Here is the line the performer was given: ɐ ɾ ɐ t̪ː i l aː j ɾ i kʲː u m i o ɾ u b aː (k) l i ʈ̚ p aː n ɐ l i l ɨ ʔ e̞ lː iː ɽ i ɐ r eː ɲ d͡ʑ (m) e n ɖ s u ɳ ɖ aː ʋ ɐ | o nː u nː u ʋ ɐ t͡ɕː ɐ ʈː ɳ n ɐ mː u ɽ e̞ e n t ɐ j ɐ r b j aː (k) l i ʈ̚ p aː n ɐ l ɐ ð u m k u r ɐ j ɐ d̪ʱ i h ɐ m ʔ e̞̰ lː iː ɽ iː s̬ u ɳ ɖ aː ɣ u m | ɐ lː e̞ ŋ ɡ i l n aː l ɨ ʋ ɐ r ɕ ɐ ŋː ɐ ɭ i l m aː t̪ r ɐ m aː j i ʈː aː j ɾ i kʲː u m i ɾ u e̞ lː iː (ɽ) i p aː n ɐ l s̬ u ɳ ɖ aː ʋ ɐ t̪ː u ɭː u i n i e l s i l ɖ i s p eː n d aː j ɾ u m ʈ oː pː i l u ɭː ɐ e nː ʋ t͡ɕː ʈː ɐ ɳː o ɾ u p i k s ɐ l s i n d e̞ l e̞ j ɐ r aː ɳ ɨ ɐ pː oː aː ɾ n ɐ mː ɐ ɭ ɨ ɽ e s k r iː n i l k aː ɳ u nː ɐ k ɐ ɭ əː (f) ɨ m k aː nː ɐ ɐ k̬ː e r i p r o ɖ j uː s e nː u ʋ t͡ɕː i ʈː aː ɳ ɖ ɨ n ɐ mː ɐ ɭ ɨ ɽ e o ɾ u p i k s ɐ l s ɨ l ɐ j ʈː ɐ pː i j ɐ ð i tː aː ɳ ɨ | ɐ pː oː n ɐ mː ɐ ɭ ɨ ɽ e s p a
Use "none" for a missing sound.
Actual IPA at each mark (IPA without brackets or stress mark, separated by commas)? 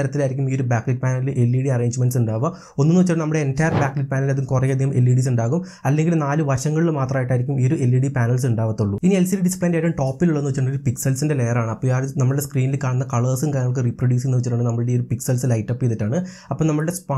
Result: k, m, k, ɽ, s